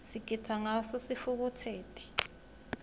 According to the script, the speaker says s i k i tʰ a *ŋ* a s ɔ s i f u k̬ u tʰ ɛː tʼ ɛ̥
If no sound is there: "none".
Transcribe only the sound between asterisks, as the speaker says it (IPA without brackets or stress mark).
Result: ŋ